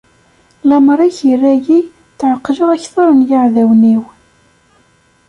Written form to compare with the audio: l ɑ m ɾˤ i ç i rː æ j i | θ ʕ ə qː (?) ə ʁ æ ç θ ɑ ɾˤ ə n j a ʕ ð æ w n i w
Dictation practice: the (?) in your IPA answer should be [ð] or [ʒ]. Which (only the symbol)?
ʒ